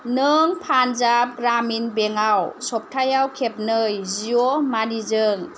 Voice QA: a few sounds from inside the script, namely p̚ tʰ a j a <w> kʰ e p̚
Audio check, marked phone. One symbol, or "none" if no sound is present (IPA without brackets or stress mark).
w